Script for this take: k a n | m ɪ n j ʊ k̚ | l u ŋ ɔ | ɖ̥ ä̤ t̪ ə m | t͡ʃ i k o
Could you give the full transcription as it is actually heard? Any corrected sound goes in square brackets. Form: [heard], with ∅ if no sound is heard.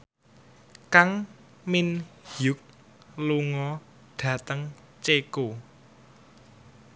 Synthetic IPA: k a [ŋ] | m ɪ n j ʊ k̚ | l u ŋ ɔ | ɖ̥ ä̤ t̪ ə [ŋ] | t͡ʃ [e] k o